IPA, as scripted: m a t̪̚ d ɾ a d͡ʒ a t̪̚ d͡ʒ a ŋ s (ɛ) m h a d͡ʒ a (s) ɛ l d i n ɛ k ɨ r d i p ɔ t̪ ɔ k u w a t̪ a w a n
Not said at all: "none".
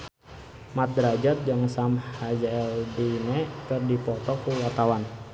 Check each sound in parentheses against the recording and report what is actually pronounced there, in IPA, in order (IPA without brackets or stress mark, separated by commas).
a, none